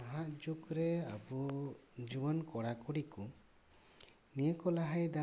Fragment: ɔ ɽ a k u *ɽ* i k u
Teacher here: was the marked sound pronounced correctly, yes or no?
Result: yes